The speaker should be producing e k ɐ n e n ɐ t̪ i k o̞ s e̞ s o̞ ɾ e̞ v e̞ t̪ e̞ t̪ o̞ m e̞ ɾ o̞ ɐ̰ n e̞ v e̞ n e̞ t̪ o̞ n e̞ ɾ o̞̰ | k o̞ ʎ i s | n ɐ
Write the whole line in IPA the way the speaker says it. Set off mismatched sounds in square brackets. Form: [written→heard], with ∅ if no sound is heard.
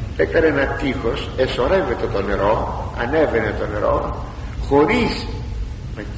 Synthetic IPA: e k ɐ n e n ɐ t̪ i [k→x] o̞ s e̞ s o̞ ɾ e̞ v e̞ t̪ e̞ t̪ o̞ [m→n] e̞ ɾ o̞ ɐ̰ n e̞ v e̞ n e̞ t̪ o̞ n e̞ ɾ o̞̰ | [k→x] o̞ [ʎ→ɾ] i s | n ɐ